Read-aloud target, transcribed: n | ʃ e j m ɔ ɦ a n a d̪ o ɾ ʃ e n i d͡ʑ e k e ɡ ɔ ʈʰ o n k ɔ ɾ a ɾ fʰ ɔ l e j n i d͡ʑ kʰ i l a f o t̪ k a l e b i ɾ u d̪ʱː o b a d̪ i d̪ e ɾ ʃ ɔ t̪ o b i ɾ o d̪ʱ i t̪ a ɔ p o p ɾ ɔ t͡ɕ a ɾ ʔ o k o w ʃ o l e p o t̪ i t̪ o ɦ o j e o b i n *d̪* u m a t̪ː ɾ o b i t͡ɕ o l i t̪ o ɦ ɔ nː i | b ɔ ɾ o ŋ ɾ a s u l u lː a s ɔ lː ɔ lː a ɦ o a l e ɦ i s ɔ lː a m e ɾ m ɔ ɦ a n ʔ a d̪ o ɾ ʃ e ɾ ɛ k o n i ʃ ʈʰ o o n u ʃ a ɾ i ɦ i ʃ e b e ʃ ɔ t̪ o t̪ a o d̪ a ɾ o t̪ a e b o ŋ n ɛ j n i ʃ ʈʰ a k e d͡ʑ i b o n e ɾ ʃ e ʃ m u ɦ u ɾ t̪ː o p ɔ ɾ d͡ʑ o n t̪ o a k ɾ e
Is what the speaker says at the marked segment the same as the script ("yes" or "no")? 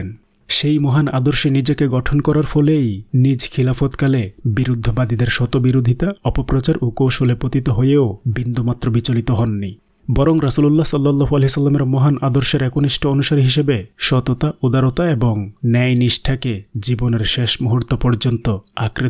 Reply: yes